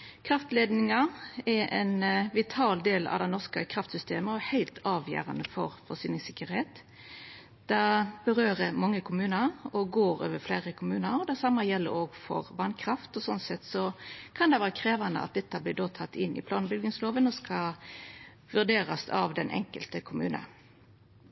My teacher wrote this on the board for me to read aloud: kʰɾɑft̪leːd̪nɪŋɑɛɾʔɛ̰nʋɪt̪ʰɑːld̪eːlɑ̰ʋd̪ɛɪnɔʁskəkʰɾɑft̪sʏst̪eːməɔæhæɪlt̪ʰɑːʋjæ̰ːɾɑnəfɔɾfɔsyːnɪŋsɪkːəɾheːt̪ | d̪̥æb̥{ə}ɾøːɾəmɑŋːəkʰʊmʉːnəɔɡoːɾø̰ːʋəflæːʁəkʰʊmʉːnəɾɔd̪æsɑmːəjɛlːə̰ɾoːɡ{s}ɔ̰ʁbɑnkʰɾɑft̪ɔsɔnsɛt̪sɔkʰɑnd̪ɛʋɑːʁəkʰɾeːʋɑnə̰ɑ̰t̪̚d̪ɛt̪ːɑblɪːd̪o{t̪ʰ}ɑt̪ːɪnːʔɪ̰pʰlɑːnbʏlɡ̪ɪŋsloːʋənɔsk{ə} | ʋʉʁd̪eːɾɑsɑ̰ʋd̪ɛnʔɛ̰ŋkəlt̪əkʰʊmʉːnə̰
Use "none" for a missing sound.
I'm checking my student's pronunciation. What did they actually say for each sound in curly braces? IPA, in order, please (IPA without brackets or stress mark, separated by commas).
ə, f, t̪ʰ, ɑ